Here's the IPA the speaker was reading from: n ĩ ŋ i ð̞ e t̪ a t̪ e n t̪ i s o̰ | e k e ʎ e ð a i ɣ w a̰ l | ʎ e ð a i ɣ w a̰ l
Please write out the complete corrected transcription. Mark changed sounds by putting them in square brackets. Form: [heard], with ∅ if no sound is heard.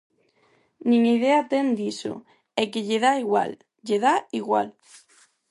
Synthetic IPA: n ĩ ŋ i ð̞ e [∅] a t̪ e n [d̪] i s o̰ | e k e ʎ e ð a i ɣ w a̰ l | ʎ e ð a i ɣ w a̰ l